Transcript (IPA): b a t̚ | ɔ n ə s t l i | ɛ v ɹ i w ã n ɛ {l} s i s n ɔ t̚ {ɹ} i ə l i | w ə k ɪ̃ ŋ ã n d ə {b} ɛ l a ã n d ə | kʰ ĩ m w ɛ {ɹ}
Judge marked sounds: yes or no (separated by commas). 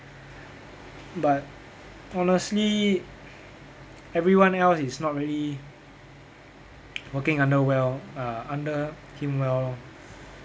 yes, yes, no, no